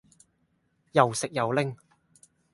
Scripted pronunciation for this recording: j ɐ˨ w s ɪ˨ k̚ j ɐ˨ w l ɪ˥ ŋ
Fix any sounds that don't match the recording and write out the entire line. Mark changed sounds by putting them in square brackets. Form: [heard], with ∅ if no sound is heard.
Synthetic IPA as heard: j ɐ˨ w s ɪ˨ k̚ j ɐ˨ w l ɪ˥ ŋ